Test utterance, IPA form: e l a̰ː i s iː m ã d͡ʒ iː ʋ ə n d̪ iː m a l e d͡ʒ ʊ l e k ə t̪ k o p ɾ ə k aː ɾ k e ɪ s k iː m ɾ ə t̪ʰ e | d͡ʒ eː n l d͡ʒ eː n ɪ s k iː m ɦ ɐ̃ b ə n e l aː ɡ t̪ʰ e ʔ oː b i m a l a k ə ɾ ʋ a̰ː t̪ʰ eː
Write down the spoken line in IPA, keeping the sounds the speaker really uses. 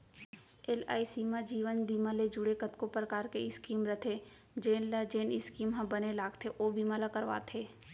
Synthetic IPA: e l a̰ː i s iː m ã d͡ʒ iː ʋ ə n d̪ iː m a l e d͡ʒ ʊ ɽ e k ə t̪ k o p ɾ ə k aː ɾ k e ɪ s k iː m ɾ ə t̪ʰ e | d͡ʒ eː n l d͡ʒ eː n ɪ s k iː m ɦ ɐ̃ b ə n e l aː ɡ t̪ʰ e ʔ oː b i m a l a k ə ɾ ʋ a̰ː t̪ʰ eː